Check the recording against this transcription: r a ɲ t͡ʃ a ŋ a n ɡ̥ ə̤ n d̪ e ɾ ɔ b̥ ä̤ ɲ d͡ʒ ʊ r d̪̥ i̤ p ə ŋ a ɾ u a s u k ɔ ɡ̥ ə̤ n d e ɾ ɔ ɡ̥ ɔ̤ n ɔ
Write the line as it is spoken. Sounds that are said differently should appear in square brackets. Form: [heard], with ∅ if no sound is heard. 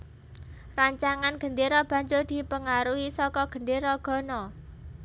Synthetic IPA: r a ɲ t͡ʃ a ŋ a n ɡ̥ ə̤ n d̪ e ɾ ɔ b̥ ä̤ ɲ d͡ʒ ʊ r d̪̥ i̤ p ə ŋ a ɾ u [i] s [ɔ] k ɔ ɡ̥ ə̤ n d e ɾ ɔ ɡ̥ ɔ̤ n ɔ

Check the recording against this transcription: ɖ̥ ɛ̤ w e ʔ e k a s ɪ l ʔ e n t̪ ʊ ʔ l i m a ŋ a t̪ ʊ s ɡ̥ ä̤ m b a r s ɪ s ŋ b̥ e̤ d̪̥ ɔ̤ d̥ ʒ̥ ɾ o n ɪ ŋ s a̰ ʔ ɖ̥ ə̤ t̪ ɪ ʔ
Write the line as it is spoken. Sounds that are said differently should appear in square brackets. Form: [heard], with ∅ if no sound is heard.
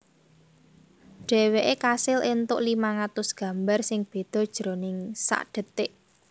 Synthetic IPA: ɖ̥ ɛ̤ w e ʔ e k a s ɪ l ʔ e n t̪ ʊ ʔ l i m a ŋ a t̪ ʊ s ɡ̥ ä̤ m b a r s ɪ [∅] ŋ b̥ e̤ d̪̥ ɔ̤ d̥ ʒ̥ ɾ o n ɪ ŋ s a̰ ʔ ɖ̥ ə̤ t̪ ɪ ʔ

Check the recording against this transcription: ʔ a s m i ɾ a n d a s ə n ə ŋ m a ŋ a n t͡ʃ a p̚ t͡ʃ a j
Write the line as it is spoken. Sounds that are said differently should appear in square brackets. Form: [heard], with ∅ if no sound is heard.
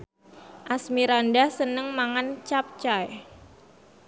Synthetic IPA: ʔ a s m i ɾ a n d a s ə n ə ŋ m a ŋ a n t͡ʃ a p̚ t͡ʃ a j

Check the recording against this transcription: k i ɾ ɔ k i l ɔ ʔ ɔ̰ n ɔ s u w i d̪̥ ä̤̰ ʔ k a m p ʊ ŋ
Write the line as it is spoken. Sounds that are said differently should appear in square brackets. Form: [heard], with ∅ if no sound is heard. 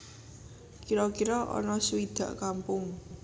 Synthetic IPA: k i ɾ ɔ k i [ɾ] ɔ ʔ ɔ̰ n ɔ s u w i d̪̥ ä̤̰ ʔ k a m p ʊ ŋ

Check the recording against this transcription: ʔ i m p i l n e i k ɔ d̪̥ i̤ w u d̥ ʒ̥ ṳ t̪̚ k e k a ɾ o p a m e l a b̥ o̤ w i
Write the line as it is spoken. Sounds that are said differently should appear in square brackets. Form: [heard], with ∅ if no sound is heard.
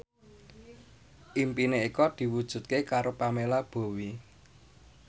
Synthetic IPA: ʔ i m p i [∅] n e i k ɔ d̪̥ i̤ w u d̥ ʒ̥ ṳ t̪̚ k e k a ɾ o p a m e l a b̥ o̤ w i

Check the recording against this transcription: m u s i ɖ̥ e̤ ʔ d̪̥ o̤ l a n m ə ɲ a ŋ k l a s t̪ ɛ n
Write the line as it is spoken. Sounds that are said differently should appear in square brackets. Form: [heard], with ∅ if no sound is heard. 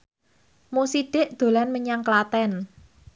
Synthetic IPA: m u s i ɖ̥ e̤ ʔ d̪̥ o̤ l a n m ə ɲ a ŋ k l a [∅] t̪ ɛ n

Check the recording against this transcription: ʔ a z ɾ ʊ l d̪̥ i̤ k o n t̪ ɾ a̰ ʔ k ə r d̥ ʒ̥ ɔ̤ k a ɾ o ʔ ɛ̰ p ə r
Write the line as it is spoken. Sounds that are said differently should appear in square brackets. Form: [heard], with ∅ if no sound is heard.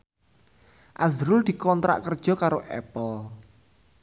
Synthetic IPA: ʔ a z ɾ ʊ l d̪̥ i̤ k [ɔ] n t̪ ɾ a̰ ʔ k ə r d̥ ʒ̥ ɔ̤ k a ɾ o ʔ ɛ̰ p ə [l]

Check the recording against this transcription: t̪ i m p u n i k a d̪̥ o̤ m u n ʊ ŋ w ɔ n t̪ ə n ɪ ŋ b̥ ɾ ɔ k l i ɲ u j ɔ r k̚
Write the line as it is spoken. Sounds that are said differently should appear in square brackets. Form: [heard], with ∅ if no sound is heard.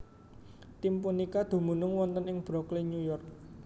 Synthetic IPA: t̪ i m p u n i k a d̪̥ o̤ m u n ʊ ŋ w ɔ n t̪ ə n ɪ ŋ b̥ ɾ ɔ k l i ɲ u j ɔ r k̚

